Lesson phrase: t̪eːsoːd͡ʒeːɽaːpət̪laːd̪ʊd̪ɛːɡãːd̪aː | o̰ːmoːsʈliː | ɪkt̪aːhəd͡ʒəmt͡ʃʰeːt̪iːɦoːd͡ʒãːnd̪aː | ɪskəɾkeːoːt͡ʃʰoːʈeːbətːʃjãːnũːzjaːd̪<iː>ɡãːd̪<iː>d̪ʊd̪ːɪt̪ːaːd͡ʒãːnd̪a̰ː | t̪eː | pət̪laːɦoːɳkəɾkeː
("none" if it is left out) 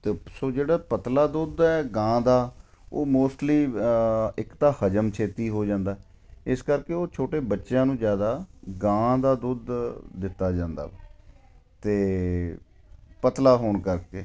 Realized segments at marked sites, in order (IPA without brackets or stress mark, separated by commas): aː, aː